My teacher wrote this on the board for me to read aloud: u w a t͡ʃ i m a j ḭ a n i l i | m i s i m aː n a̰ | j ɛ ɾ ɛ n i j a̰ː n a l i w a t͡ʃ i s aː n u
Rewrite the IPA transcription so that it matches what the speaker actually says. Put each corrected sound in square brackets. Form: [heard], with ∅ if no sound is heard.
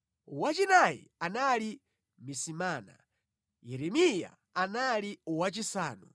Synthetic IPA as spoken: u w a t͡ʃ i [n] a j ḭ a n [a] l i | m i s i m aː n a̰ | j ɛ ɾ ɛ [m] i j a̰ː n a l i w a t͡ʃ i s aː n u